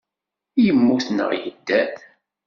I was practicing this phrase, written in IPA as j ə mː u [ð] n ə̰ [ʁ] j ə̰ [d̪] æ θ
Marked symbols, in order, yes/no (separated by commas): no, yes, no